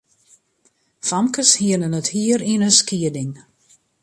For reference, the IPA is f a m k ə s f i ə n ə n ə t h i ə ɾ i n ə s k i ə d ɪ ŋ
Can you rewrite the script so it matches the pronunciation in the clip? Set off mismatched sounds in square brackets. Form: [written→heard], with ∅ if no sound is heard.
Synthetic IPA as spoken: f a m k ə s [f→h] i ə n ə n ə t h i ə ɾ i n ə s k i ə d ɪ ŋ